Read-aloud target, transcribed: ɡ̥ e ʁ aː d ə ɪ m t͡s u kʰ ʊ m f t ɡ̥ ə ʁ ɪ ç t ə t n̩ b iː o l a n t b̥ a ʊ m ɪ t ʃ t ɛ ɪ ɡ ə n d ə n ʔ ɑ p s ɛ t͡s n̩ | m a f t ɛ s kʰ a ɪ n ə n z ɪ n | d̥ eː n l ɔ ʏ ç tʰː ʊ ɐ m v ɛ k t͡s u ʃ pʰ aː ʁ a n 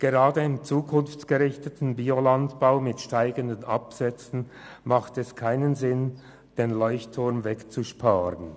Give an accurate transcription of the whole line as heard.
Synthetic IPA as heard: ɡ̥ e ʁ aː d ə ɪ m t͡s uː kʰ ʊ n f t͡s ɡ̥ ə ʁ ɪ ç t ə t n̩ b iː o l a n t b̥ a ʊ m ɪ t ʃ t a ɪ ɡ ə n d ə n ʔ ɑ p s ɛ t͡s n̩ | m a χ t ɛ s kʰ a ɪ n ə n z ɪ n | d̥ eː n l ɔ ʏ ç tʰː ʊ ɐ m v ɛ k t͡s u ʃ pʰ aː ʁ ə n